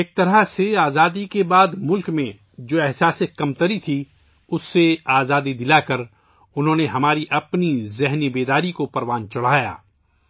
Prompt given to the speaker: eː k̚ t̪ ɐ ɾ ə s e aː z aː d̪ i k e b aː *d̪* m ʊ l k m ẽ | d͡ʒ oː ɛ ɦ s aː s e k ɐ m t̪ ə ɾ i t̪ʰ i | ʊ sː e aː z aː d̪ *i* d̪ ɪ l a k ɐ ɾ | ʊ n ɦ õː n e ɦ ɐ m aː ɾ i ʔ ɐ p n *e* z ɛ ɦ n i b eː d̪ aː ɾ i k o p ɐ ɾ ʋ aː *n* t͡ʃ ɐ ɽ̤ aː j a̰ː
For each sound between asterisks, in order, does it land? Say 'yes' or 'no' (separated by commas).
yes, yes, no, yes